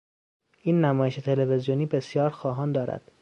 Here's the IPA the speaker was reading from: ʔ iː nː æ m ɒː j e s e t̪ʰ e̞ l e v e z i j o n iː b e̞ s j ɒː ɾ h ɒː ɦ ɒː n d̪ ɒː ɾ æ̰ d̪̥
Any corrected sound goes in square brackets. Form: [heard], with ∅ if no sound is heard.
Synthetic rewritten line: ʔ iː nː æ m ɒː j e [ʃ] e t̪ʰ e̞ l e v e z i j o n iː b e̞ s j ɒː ɾ [x] ɒː ɦ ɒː n d̪ ɒː ɾ æ̰ d̪̥